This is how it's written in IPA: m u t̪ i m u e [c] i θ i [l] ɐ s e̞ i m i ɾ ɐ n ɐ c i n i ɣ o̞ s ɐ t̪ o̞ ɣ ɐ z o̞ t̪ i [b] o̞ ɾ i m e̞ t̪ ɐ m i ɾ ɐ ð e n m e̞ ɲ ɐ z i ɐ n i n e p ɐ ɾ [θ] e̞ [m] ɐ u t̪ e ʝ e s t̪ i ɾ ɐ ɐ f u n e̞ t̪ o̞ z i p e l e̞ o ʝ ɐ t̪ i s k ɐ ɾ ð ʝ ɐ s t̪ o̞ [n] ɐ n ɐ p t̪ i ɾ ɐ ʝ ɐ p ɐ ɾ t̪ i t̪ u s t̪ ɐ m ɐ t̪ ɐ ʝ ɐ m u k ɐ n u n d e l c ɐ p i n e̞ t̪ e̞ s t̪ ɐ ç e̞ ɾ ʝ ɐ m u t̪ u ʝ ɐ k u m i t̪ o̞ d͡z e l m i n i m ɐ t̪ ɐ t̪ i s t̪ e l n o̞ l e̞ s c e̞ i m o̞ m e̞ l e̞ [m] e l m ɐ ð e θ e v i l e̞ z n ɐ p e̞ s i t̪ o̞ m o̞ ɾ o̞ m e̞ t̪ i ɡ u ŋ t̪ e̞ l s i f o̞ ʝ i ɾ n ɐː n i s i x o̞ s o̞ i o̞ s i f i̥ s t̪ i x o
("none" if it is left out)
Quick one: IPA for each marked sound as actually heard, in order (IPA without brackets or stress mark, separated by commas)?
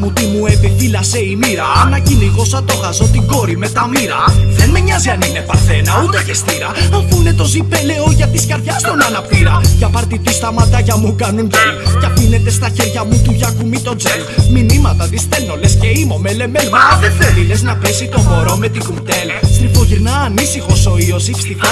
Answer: p, l, ɡ, θ, n, n, m